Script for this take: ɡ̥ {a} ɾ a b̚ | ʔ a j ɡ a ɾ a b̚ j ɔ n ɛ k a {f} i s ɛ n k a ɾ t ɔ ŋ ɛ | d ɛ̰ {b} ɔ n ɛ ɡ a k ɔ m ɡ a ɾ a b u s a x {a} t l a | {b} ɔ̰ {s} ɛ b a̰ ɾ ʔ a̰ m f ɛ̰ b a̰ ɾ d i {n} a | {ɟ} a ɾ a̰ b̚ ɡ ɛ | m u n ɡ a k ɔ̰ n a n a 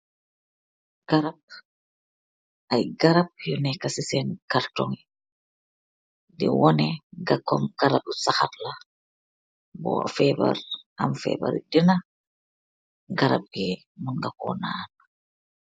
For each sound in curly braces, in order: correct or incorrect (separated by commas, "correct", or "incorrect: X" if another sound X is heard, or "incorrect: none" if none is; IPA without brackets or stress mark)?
correct, incorrect: s, incorrect: w, correct, correct, incorrect: f, correct, incorrect: ɡ